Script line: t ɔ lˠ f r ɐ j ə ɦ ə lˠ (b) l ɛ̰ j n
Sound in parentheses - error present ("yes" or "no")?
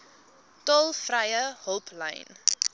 yes